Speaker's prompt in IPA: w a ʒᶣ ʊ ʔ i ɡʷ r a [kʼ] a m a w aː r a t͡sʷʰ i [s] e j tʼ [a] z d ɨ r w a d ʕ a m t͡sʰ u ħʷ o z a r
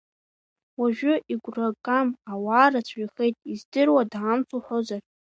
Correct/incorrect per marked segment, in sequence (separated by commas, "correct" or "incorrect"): correct, incorrect, incorrect